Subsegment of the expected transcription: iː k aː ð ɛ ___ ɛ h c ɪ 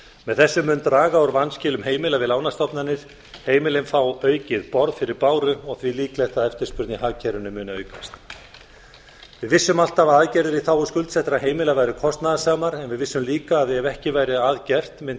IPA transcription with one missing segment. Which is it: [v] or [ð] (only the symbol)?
v